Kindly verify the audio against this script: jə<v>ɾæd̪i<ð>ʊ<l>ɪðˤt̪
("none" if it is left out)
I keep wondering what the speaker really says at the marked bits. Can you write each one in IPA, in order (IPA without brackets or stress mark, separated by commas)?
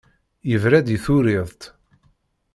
v, θ, ɾ